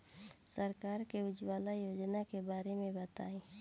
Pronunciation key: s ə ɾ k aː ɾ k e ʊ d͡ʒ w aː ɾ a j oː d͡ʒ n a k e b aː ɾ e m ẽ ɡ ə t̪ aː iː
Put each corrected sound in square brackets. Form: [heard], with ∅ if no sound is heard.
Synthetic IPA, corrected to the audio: s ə ɾ k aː ɾ k e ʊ d͡ʒ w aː [l] a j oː d͡ʒ n a k e b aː ɾ e m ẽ [b] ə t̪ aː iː

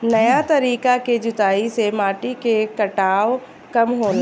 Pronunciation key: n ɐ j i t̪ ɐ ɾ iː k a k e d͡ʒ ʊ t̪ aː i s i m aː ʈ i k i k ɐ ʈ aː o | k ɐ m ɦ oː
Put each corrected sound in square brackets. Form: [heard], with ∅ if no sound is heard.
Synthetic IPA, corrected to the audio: n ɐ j [a] t̪ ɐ ɾ iː k a k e d͡ʒ ʊ t̪ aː i s [e] m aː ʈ i k [e] k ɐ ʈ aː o | k ɐ m ɦ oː

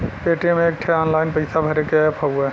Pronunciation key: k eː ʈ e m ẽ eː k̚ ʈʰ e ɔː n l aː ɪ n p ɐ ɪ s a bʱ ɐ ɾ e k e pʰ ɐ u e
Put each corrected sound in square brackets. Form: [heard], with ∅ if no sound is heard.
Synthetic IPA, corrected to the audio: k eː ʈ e m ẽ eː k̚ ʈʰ e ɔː n l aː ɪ n p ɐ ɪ s a bʱ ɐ ɾ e k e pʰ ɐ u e

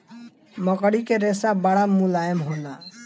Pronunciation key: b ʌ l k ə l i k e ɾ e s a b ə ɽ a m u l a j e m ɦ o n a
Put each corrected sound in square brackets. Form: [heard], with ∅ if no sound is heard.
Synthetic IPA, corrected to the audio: [m] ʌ [∅] k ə [ɽ] i k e ɾ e s a b [a] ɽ a m u l a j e m ɦ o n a

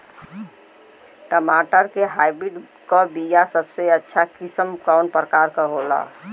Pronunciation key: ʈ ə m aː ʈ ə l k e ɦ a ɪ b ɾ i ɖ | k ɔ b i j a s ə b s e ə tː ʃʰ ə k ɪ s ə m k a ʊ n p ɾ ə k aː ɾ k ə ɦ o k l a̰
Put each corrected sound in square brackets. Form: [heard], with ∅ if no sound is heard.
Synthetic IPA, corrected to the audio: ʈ ə m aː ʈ ə [ɾ] k e ɦ a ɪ b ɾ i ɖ | k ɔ b i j a s ə b s e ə tː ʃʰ [a] k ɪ s ə m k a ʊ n p ɾ ə k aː ɾ k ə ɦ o [∅] l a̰

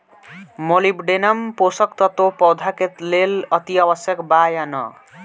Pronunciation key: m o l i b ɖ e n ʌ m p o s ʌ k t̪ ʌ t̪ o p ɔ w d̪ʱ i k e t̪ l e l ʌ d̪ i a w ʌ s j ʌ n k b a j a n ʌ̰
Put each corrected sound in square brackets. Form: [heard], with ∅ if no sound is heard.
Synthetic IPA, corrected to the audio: m o l i b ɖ e n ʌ m p o s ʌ k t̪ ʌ t̪ o p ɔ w d̪ʱ [a] k e t̪ l e l ʌ [t̪] i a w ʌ s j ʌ [∅] k b a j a n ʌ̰

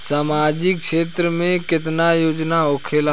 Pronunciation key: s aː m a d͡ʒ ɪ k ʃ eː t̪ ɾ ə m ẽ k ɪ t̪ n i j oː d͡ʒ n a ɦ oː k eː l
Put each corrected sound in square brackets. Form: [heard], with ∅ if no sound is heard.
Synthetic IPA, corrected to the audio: s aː m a d͡ʒ ɪ k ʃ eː t̪ ɾ ə m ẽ k ɪ t̪ n [a] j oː d͡ʒ n a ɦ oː [kʰ] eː l

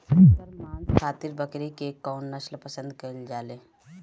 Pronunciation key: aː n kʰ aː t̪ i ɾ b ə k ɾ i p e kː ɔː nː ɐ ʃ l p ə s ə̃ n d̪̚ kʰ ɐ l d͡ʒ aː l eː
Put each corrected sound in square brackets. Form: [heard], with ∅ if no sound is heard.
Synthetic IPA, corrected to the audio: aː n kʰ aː t̪ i ɾ b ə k ɾ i [k] e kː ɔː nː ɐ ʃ l p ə s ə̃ n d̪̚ [k] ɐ l d͡ʒ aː l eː

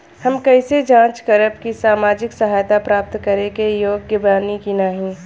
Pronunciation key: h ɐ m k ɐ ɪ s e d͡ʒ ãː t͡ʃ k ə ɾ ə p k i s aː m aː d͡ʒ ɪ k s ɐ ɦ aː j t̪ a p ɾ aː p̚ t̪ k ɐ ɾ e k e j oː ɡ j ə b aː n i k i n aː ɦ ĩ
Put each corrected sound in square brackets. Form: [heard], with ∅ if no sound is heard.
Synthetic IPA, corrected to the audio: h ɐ m k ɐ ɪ s e d͡ʒ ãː t͡ʃ k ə ɾ ə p k i s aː m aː d͡ʒ ɪ k s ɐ ɦ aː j t̪ a p ɾ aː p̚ t̪ k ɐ ɾ e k e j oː ɡ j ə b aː n i k i n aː ɦ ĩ

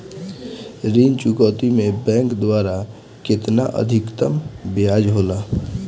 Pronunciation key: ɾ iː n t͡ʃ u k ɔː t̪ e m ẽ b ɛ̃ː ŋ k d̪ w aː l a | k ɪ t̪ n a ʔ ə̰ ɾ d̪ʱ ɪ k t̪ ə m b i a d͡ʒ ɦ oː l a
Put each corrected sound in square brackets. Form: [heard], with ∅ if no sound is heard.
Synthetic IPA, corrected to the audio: ɾ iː n t͡ʃ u k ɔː t̪ [i] m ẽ b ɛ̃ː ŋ k d̪ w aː [ɾ] a | k ɪ t̪ n a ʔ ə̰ [∅] d̪ʱ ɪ k t̪ ə m b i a d͡ʒ ɦ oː l a

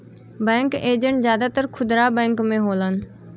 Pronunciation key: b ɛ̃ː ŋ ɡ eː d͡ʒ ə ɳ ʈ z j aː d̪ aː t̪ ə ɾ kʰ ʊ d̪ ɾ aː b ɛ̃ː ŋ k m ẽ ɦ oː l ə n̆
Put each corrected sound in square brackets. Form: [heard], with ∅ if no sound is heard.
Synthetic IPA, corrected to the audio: b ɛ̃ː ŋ [k] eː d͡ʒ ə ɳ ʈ z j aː d̪ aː t̪ ə ɾ kʰ ʊ d̪ ɾ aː b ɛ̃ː ŋ k m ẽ ɦ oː l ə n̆

